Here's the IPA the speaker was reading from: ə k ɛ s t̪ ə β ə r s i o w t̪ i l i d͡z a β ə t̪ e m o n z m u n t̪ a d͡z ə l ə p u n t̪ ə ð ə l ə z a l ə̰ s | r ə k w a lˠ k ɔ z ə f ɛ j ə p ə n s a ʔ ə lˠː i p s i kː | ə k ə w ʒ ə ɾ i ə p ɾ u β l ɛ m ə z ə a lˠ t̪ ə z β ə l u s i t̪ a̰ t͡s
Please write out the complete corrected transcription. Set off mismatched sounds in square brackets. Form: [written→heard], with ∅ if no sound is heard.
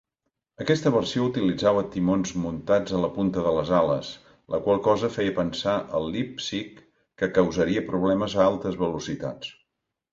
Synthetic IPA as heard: ə k ɛ s t̪ ə β ə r s i o [w→u] t̪ i l i d͡z a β ə t̪ [e→i] m o n z m u n t̪ a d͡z ə l ə p u n t̪ ə ð ə l ə z a l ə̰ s | [r→l] ə k w a lˠ k ɔ z ə f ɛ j ə p ə n s a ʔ ə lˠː i p s i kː | ə k ə w [ʒ→z] ə ɾ i ə p ɾ u β l ɛ m ə z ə a lˠ t̪ ə z β ə l u s i t̪ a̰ t͡s